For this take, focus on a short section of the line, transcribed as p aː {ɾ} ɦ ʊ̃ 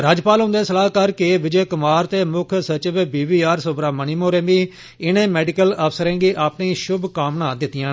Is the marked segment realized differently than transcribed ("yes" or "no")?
yes